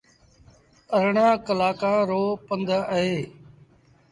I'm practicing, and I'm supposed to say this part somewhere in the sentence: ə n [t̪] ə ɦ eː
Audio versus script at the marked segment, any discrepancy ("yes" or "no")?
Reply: yes